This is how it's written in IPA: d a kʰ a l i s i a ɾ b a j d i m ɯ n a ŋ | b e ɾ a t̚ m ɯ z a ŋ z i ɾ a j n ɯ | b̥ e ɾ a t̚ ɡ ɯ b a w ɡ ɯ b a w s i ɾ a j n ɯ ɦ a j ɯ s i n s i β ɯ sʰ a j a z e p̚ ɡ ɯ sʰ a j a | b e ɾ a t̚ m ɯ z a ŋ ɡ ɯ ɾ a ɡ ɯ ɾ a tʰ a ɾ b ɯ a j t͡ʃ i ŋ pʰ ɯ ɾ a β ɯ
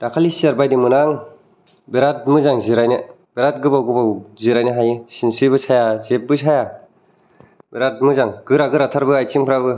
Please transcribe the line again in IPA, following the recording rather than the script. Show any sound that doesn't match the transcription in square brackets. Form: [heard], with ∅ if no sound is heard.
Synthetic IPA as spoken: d a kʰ a l i s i a ɾ b a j d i m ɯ n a ŋ | b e ɾ a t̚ m ɯ z a ŋ z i ɾ a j n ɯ | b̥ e ɾ a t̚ ɡ ɯ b a w ɡ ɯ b a w [z] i ɾ a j n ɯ ɦ a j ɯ s i n s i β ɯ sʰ a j a z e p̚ [b] ɯ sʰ a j a | b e ɾ a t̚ m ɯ z a ŋ ɡ ɯ ɾ a ɡ ɯ ɾ a tʰ a ɾ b ɯ a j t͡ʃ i ŋ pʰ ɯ ɾ a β ɯ